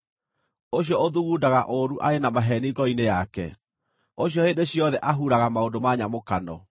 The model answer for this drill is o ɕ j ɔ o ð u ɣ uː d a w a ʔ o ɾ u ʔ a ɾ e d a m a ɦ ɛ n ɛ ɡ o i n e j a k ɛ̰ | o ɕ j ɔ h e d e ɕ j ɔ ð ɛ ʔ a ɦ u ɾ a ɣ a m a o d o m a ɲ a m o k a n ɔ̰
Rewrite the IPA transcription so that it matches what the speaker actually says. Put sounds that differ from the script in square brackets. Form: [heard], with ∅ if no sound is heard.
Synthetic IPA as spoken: o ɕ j ɔ o ð u ɣ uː d a [ɣ] a ʔ o ɾ u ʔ a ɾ e [n] a m a ɦ ɛ n [i] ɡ [ɔ] i n e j a k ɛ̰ | o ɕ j ɔ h e d e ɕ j ɔ ð ɛ ʔ a ɦ u ɾ a ɣ a m a o d o m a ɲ a m o k a n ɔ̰